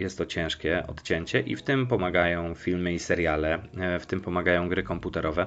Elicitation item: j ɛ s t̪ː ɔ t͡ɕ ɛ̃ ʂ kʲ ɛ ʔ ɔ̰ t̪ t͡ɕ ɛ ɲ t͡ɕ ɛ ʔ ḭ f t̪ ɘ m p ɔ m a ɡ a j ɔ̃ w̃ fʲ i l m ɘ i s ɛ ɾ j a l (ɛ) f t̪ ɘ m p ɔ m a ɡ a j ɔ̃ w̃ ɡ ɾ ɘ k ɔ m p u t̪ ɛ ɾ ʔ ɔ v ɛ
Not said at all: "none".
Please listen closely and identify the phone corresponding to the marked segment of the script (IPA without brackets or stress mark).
ɛ